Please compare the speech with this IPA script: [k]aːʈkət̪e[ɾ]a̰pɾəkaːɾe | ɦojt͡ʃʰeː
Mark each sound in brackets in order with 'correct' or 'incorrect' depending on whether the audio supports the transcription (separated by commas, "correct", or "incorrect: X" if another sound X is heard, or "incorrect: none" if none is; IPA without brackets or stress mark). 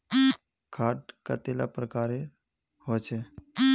incorrect: kʰ, incorrect: l